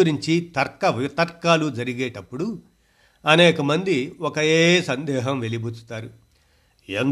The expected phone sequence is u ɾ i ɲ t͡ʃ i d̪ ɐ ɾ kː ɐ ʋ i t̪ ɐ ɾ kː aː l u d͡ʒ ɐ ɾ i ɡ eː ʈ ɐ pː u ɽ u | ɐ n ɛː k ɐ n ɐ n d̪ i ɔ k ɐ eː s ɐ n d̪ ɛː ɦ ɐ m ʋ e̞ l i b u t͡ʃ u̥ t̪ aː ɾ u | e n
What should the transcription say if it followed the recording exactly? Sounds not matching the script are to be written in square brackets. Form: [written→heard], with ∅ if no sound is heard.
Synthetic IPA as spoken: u ɾ i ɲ t͡ʃ i [d̪→t̪] ɐ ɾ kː ɐ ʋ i t̪ ɐ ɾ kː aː l u d͡ʒ ɐ ɾ i ɡ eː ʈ ɐ pː u ɽ u | ɐ n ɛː k ɐ [n→m] ɐ n d̪ i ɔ k ɐ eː s ɐ n d̪ ɛː ɦ ɐ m ʋ e̞ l i b u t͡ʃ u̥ t̪ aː ɾ u | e n